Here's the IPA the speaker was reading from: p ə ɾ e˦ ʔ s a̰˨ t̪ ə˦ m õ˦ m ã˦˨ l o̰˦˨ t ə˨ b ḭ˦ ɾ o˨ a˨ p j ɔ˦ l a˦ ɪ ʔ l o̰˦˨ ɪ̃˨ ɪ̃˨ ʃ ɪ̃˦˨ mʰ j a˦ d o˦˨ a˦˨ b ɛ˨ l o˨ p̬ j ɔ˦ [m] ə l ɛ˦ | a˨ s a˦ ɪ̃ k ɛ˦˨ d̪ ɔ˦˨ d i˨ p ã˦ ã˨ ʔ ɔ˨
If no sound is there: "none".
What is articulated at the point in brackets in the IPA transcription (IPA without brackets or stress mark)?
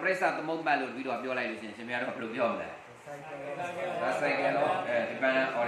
m